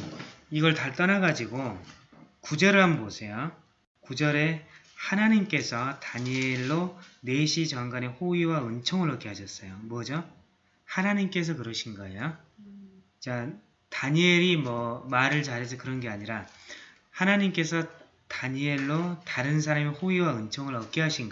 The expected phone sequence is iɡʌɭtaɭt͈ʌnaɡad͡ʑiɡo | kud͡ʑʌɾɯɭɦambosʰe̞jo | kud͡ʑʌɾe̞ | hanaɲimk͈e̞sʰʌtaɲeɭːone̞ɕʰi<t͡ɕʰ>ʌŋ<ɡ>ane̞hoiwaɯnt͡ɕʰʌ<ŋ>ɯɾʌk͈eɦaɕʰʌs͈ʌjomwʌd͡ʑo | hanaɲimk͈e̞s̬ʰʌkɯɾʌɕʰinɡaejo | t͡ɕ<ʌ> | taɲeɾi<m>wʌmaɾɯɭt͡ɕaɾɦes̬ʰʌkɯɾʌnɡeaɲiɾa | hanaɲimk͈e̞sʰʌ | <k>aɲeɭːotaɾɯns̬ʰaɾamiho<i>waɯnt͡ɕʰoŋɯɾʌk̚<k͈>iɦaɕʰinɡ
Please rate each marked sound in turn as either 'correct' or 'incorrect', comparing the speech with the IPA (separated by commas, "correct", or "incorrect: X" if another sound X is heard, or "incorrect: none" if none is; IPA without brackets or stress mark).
incorrect: t͡ɕ, correct, correct, incorrect: a, correct, incorrect: t, correct, correct